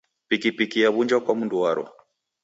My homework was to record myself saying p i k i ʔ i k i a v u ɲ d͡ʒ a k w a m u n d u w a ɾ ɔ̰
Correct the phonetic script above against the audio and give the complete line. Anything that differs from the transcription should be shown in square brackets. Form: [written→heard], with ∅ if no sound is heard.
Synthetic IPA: p i k i [ʔ→p] i k i a [v→β] u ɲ d͡ʒ a k w a m u n d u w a ɾ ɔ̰